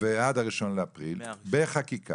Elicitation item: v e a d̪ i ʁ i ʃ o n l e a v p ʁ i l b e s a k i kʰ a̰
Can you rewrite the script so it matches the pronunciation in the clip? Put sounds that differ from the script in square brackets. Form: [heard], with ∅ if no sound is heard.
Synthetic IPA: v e a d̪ [a] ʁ i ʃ o n l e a [∅] p ʁ i l b e [χ] a k i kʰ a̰